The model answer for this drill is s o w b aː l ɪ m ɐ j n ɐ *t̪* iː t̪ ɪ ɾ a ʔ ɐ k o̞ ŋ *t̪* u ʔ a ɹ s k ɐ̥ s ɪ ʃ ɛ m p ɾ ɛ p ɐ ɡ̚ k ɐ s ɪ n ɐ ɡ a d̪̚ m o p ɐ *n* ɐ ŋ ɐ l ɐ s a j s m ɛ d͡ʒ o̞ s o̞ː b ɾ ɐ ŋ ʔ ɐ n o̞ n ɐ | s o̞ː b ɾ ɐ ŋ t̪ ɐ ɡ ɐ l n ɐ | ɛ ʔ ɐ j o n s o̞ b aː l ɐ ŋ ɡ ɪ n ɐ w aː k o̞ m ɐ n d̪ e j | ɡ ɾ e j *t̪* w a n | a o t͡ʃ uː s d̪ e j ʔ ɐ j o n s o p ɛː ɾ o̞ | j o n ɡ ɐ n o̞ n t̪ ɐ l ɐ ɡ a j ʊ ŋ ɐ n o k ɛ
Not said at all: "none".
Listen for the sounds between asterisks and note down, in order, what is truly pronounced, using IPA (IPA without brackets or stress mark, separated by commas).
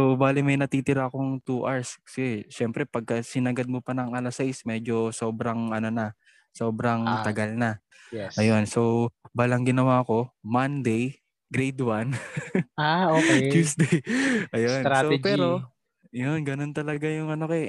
t̪, t̪, n, d̪